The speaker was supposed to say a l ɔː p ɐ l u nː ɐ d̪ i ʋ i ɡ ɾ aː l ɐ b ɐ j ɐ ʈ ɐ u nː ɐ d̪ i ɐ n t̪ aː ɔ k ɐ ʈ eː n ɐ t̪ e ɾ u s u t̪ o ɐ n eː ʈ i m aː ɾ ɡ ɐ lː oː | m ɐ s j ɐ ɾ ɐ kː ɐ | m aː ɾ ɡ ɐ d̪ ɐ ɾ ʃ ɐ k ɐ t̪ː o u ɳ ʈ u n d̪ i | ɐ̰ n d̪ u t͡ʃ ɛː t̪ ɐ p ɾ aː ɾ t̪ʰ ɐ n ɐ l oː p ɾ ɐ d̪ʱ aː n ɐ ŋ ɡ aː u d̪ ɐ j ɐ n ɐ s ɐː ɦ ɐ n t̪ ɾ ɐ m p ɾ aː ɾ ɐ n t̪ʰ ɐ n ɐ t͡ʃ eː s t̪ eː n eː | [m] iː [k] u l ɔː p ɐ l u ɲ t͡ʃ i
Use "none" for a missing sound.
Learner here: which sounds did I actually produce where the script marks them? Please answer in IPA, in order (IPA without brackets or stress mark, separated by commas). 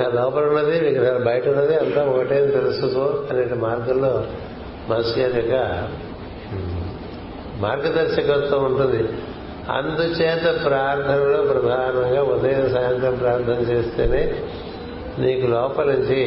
n, k